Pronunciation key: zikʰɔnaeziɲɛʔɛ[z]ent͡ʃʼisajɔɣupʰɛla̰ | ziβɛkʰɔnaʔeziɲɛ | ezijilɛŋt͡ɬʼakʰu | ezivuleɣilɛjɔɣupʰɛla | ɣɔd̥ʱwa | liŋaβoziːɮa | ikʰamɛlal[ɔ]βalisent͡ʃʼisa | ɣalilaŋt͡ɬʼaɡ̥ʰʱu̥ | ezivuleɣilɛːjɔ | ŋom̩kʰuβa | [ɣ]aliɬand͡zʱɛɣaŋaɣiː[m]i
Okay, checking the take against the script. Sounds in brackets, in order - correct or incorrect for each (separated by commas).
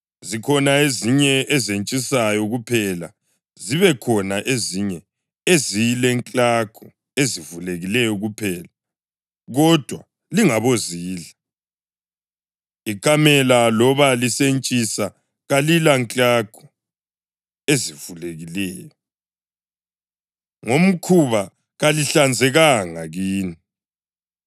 correct, correct, correct, incorrect